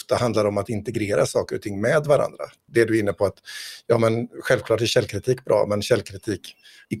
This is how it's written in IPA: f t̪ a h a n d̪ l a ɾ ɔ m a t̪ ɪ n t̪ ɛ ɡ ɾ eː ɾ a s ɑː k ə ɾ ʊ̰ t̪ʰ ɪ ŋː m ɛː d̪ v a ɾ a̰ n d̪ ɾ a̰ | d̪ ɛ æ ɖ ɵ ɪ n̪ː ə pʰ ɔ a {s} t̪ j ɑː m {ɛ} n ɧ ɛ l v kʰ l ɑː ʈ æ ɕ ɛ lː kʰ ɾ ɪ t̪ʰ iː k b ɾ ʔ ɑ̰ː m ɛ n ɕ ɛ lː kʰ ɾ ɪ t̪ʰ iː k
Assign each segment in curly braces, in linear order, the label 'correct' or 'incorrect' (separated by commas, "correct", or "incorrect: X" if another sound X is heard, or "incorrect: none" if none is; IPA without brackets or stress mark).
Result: incorrect: none, correct